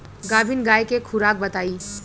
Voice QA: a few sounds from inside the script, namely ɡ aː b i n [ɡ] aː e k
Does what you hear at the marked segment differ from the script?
no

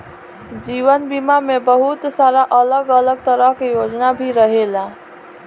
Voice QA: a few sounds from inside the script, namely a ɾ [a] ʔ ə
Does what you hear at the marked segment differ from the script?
no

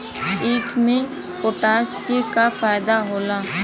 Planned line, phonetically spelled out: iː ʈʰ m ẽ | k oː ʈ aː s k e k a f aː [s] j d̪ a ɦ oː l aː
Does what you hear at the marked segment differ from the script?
yes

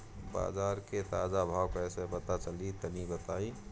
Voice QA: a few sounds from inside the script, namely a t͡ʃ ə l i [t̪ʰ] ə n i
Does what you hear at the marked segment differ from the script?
yes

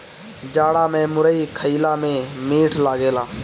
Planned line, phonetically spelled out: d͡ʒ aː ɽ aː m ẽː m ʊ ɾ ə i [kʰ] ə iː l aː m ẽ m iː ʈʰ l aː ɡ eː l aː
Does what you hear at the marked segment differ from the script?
no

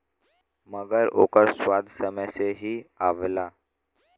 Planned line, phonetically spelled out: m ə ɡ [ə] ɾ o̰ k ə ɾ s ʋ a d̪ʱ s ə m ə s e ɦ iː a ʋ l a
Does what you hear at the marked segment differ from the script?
no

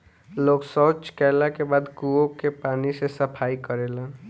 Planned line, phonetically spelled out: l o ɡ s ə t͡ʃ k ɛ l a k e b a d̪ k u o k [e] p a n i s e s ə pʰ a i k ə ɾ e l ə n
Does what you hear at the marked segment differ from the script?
no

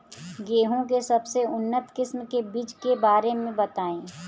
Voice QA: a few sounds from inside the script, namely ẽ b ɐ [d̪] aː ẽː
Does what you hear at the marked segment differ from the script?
yes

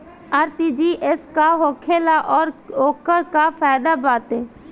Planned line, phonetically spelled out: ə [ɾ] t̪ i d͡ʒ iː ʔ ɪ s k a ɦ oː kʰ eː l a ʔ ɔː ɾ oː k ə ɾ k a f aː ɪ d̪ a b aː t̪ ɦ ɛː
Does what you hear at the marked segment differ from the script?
no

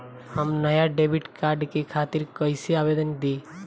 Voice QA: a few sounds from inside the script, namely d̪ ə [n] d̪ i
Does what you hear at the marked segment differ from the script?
no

